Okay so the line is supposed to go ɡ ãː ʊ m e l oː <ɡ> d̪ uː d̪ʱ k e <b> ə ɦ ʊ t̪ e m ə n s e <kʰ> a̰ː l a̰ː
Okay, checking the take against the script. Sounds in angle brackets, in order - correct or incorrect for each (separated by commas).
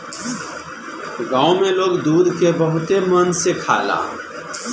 correct, correct, correct